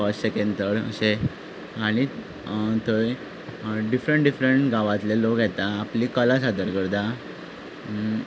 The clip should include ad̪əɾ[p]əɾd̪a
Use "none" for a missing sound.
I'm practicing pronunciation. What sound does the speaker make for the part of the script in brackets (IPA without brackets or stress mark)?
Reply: k